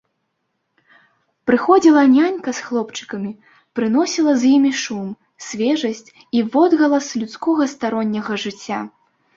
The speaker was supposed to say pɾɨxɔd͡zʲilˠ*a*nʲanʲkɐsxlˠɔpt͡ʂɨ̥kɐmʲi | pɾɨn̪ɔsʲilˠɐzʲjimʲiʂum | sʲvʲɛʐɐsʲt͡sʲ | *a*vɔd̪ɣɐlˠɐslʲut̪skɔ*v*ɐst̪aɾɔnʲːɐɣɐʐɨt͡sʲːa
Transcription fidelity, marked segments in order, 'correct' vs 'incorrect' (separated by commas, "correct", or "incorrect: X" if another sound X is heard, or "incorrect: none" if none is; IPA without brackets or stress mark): incorrect: ɐ, incorrect: i, incorrect: ɣ